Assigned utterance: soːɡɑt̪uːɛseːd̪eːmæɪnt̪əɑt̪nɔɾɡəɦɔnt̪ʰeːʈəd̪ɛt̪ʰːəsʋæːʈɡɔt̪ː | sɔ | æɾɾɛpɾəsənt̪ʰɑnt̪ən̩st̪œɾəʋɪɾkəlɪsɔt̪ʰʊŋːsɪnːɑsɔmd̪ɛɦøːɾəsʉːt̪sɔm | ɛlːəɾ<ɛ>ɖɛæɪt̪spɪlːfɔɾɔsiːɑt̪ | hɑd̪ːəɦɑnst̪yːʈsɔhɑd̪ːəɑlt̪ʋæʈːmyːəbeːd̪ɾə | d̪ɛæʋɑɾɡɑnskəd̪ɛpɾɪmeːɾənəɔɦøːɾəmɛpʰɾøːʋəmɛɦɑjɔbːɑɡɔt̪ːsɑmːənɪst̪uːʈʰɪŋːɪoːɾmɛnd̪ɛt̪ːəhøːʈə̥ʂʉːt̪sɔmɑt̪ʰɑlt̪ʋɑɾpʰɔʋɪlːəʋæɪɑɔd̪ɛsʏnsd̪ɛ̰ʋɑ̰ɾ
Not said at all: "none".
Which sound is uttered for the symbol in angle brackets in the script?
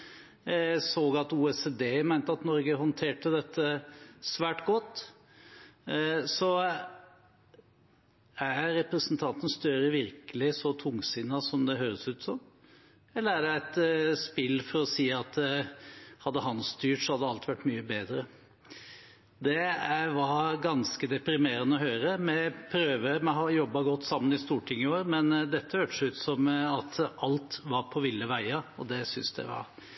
æ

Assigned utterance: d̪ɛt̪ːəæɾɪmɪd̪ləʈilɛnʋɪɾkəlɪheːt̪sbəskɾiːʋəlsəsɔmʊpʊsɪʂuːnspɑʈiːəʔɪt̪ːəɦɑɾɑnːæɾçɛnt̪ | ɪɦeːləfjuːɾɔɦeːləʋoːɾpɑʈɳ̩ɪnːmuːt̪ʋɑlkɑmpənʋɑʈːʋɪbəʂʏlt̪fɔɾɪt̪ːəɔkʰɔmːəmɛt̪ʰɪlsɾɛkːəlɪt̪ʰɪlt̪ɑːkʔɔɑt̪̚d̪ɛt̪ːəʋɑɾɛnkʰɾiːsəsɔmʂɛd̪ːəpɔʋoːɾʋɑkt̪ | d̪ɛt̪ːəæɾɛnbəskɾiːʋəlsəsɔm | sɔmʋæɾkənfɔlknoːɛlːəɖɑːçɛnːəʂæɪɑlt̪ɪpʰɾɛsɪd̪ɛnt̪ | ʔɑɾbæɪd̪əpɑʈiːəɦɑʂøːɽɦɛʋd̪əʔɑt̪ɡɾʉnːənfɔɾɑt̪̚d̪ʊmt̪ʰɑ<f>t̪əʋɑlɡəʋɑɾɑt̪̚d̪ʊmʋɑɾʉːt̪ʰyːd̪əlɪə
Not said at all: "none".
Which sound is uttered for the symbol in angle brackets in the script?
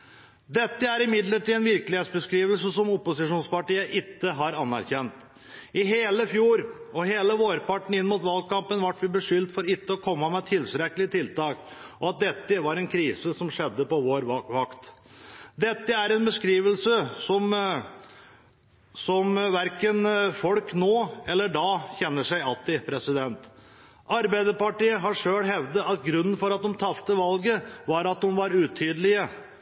f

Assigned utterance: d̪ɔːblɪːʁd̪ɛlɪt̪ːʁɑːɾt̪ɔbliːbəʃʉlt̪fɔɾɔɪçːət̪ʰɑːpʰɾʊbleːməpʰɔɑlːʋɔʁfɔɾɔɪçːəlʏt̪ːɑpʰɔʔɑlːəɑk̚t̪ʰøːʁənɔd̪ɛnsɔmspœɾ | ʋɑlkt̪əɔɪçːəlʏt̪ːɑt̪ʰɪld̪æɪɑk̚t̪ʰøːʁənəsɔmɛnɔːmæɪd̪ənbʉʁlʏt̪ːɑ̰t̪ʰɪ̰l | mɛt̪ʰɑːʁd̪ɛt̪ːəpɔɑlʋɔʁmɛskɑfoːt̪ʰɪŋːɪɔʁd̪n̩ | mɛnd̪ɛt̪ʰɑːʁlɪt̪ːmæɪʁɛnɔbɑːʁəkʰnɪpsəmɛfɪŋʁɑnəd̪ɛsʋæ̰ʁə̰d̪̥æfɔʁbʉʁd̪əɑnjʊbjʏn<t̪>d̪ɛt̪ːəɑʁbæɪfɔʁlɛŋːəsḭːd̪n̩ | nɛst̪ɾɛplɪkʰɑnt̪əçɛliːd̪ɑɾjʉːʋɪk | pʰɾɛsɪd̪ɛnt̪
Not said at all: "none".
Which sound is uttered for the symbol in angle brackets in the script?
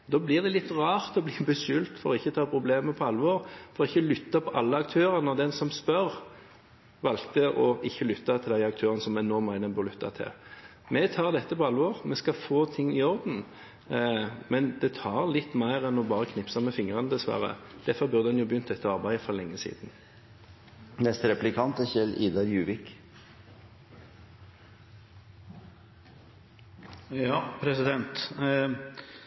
t̪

